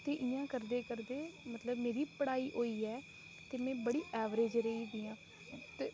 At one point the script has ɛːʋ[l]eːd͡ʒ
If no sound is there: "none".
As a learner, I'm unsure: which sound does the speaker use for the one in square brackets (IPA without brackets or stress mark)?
ɾ